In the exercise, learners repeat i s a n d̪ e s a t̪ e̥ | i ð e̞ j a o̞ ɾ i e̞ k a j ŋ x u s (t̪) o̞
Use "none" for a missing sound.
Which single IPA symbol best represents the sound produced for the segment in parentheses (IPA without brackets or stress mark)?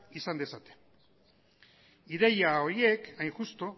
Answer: t̪